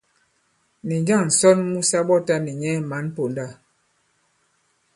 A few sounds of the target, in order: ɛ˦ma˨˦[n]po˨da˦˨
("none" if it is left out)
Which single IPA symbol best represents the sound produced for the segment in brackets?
n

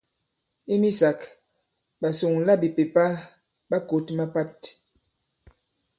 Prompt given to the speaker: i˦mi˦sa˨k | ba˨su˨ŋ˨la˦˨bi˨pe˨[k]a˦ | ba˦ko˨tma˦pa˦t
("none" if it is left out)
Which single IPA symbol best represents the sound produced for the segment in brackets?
p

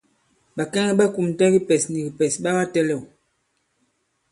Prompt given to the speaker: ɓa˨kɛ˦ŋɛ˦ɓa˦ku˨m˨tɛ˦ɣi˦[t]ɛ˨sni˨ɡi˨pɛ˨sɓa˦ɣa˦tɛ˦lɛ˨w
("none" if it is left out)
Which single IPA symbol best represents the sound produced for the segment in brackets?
p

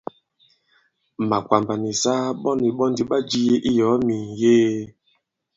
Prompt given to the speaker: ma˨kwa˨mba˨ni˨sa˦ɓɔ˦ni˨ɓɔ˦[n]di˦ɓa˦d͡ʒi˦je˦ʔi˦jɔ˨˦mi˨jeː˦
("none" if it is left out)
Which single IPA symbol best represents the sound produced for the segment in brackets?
n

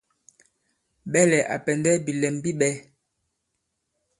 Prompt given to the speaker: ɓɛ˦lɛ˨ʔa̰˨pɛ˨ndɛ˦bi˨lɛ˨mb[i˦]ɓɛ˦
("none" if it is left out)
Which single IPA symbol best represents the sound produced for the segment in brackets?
i˦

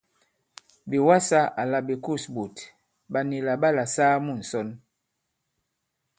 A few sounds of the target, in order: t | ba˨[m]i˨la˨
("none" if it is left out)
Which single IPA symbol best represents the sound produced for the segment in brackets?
n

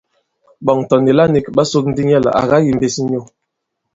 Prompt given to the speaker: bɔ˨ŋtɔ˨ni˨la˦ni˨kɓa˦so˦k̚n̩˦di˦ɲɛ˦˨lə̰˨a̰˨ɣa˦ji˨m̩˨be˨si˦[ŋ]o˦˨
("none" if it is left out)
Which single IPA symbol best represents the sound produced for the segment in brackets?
ɲ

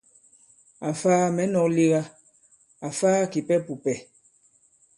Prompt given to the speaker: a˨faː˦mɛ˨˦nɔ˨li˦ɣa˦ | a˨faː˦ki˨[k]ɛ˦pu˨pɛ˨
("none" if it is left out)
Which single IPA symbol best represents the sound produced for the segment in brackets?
p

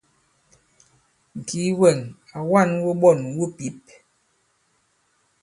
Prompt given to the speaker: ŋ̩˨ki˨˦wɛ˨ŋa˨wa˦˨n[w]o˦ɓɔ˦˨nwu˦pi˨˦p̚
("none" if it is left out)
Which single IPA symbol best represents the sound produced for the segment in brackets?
w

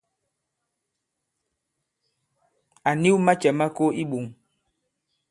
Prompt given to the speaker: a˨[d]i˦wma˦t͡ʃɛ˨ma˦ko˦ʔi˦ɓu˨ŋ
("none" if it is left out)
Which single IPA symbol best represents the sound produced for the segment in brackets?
n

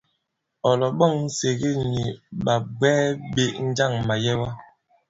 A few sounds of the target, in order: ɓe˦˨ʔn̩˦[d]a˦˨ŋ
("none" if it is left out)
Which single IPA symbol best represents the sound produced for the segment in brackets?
d͡ʒ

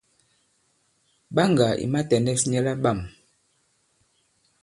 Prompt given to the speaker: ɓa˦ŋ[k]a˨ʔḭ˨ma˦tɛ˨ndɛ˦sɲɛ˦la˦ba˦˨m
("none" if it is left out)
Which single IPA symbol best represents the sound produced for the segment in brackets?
ɡ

